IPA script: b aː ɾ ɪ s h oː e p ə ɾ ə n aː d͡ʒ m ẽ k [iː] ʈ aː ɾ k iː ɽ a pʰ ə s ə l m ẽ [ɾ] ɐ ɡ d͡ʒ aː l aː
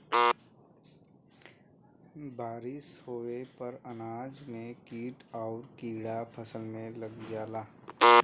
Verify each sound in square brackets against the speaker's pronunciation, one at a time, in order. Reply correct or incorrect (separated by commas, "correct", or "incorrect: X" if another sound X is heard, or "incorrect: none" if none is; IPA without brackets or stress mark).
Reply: correct, incorrect: l